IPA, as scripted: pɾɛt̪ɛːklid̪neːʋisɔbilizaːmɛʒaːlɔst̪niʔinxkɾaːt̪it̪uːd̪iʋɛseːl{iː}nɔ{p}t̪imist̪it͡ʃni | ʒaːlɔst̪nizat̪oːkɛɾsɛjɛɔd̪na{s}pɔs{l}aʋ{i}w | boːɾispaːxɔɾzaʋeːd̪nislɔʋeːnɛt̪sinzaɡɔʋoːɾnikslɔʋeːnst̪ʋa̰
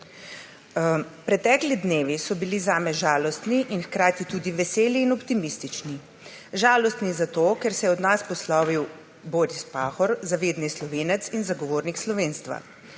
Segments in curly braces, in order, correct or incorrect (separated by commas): correct, correct, correct, correct, correct